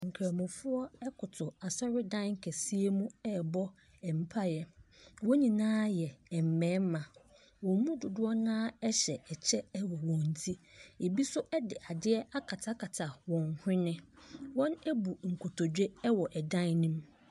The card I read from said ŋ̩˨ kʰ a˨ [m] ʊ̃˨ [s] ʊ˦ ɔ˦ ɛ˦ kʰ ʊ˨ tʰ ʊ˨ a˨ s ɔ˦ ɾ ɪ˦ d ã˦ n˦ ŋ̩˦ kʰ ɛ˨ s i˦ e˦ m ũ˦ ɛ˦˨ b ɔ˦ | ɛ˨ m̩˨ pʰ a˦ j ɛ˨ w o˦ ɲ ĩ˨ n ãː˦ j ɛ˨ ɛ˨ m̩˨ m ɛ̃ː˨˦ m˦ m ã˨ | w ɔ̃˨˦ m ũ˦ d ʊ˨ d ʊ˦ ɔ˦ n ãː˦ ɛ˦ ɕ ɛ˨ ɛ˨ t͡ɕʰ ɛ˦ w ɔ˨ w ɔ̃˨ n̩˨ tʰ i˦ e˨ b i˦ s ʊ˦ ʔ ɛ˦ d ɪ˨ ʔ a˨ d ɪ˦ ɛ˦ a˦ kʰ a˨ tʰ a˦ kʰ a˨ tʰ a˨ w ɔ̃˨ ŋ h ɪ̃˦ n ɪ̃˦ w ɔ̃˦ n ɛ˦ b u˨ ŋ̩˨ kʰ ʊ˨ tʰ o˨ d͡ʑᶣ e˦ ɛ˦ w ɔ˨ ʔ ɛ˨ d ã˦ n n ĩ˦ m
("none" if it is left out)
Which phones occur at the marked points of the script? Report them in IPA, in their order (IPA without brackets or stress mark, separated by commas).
m, f